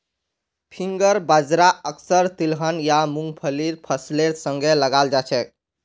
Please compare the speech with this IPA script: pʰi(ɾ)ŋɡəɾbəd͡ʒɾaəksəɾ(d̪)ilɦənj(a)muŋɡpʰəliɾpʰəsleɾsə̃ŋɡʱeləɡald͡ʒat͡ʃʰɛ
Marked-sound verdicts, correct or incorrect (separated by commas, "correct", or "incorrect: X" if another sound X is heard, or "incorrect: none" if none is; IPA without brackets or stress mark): incorrect: none, incorrect: t̪, correct